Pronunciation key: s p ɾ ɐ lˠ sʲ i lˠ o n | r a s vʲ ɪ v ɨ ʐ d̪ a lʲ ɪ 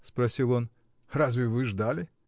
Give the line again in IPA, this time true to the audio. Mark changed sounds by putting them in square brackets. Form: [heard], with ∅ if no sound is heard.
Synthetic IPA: s p ɾ ɐ [∅] sʲ i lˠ o n | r a [z] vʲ ɪ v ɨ ʐ d̪ a lʲ ɪ